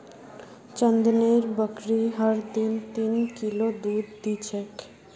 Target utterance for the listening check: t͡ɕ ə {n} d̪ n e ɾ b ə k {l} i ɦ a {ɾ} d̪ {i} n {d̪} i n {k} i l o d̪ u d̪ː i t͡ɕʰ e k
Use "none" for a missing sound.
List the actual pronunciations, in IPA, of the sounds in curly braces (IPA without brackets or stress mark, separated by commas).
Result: n, ɾ, ɾ, i, t̪, k